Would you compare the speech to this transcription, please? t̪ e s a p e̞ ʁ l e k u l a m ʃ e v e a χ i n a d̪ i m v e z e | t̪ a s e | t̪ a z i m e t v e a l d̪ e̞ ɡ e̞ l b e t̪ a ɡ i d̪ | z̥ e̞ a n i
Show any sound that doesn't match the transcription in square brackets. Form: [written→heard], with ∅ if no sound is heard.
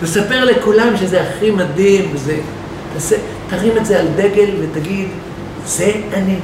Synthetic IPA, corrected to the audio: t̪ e s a p e̞ ʁ l e k u l a m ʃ e [v→z] e a χ i [n→m] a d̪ i m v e z e | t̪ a s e | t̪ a [z→ʁ] i m e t [v→z] e a l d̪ e̞ ɡ e̞ l [b→v] e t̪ a ɡ i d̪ | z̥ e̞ a n i